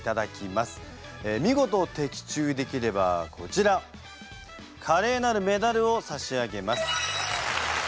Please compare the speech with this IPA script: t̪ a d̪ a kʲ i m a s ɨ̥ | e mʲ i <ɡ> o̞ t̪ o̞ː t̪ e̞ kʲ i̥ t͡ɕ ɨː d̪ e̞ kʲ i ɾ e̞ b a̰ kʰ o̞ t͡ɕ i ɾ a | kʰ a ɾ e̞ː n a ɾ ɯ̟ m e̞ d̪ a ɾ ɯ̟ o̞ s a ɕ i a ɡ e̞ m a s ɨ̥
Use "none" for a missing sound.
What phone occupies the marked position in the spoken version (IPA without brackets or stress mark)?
ɡ